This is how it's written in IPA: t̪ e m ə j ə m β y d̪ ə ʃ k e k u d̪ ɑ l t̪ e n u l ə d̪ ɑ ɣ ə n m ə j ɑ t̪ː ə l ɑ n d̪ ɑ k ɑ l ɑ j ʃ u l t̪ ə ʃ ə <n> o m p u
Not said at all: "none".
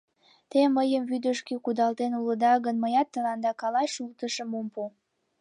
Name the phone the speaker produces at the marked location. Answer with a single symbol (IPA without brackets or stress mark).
m